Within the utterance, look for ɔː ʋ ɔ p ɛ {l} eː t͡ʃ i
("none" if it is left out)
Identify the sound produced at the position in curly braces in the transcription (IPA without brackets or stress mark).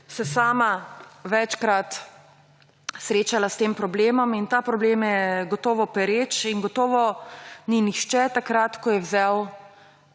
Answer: ɾ